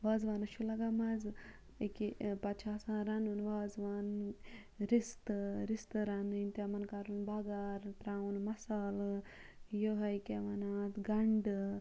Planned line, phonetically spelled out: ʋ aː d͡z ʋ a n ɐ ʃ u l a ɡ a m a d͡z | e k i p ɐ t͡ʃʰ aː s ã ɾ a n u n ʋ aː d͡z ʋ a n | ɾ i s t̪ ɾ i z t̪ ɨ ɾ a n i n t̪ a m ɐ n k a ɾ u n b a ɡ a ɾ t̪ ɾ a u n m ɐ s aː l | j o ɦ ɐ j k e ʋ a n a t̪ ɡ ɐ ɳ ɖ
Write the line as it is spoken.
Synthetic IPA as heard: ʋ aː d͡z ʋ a n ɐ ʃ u l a ɡ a m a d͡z | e k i p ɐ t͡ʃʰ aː s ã ɾ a n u n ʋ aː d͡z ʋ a n | ɾ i s t̪ ɾ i s t̪ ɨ ɾ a n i n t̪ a m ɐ n k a ɾ u n b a ɡ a ɾ t̪ ɾ a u n m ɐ s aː l | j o ɦ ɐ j k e ʋ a n a t̪ ɡ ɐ ɳ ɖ

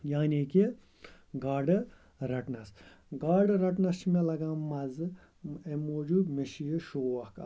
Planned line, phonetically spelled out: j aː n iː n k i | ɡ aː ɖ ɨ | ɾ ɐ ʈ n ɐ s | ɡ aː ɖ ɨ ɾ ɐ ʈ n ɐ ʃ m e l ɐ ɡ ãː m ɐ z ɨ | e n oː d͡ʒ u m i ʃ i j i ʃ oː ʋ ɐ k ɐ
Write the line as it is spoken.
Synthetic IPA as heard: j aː n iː k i | ɡ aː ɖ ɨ | ɾ ɐ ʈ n ɐ s | ɡ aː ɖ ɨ ɾ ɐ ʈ n ɐ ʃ m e l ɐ ɡ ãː m ɐ z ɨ | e m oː d͡ʒ u m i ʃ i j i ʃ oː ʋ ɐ k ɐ

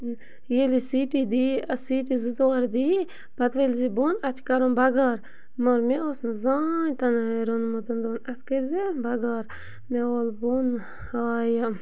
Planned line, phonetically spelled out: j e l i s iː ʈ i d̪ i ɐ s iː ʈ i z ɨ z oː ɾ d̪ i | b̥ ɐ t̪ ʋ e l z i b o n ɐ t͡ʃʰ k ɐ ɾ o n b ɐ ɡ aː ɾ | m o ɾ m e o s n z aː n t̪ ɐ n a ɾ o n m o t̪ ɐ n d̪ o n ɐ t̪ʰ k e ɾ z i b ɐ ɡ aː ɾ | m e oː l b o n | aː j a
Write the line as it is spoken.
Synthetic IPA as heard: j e l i s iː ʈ i d̪ i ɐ s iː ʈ i z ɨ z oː ɾ d̪ i | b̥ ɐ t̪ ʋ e l z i b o n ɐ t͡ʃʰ k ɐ ɾ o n b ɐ ɡ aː ɾ | m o ɾ m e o s n z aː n t̪ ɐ n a ɾ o n m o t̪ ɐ n d̪ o n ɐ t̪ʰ k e ɾ z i b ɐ ɡ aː ɾ | m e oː l b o n | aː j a

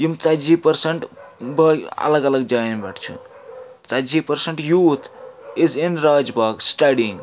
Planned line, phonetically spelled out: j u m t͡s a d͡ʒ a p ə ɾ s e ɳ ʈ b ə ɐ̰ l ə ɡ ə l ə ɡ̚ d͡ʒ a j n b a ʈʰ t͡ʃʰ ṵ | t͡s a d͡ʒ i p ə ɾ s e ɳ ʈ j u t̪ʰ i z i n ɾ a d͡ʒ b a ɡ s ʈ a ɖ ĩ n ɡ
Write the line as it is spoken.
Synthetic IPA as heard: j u m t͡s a d͡ʒ i p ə ɾ s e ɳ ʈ b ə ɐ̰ l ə ɡ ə l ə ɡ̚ d͡ʒ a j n b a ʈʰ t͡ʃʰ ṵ | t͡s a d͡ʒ i p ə ɾ s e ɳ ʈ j u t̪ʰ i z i n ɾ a d͡ʒ b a ɡ s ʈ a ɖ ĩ ŋ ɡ

